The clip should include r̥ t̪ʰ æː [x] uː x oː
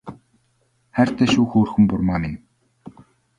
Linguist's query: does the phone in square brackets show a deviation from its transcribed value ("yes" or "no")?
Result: yes